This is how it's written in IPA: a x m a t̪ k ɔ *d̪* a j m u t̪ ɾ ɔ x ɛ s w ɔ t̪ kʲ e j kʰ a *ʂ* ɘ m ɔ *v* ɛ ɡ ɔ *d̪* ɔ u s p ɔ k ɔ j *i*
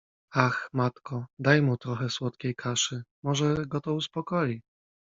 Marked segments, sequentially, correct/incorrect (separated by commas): correct, correct, incorrect, incorrect, correct